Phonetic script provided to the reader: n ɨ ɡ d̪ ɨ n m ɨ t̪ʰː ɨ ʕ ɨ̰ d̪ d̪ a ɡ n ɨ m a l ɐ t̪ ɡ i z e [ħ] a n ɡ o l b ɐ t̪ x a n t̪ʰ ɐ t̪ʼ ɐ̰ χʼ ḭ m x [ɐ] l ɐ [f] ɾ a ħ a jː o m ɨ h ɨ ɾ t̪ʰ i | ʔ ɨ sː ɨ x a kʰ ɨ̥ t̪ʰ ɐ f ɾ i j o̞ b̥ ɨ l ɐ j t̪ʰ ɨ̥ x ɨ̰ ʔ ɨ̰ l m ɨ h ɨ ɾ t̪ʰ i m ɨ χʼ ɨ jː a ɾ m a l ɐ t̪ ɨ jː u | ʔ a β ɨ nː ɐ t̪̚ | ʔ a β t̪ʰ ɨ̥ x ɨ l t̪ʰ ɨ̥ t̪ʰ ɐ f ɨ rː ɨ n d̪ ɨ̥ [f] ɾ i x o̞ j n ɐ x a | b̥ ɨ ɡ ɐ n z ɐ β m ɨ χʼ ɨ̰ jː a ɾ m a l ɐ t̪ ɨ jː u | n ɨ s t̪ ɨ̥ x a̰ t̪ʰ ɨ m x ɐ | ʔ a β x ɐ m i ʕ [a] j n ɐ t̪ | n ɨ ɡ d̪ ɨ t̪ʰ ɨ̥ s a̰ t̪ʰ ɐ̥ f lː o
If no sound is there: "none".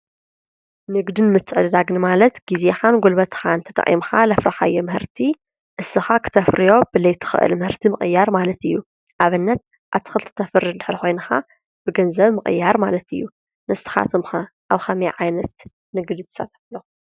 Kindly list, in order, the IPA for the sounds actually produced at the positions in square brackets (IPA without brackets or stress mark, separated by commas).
x, a, f, ħ, a